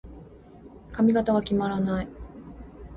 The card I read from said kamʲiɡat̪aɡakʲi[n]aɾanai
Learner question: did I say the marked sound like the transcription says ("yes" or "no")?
no